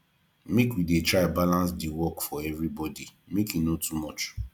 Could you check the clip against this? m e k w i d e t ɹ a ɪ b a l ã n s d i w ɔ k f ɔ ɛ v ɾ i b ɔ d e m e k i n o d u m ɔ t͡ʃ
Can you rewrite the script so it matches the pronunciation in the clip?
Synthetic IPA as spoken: m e k w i d e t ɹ a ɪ b a l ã n s d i w ɔ k f ɔ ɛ v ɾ i b ɔ d i m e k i n o t u m ɔ t͡ʃ